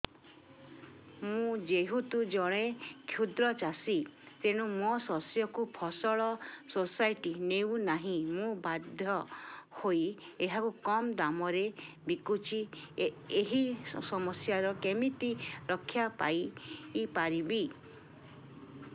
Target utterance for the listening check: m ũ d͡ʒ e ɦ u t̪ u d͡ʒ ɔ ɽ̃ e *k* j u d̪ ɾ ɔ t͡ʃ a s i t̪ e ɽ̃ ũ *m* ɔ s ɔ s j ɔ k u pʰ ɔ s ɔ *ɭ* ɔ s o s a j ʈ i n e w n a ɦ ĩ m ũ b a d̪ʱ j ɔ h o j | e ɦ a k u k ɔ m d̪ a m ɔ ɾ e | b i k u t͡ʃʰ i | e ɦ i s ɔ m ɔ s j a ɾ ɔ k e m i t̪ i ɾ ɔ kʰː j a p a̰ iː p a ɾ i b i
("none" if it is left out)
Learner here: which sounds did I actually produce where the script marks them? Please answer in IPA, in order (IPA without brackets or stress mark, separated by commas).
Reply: kʰ, m, ɭ